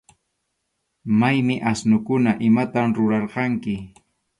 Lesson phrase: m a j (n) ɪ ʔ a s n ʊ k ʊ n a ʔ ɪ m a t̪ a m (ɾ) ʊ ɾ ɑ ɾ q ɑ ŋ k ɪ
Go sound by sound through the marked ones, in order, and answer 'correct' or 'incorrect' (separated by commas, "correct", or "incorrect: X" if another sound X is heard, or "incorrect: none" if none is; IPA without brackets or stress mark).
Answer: incorrect: m, correct